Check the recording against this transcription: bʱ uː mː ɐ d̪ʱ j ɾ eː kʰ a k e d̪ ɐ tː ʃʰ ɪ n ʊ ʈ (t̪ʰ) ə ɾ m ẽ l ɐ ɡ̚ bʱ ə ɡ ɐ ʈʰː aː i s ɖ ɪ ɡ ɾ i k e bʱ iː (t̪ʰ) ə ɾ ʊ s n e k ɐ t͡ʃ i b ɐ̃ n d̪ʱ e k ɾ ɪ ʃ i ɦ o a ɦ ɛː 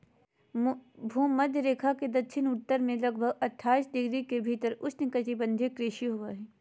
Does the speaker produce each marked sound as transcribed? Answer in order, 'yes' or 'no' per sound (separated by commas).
no, no